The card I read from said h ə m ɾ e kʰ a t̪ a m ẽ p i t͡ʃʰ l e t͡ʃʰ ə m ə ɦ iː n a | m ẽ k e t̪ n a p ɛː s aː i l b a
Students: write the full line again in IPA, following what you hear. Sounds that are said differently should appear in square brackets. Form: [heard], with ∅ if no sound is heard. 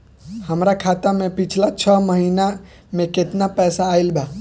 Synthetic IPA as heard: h ə m ɾ [a] kʰ a t̪ a m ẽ p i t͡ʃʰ l [a] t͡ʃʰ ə m ə ɦ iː n a | m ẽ k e t̪ n a p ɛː s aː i l b a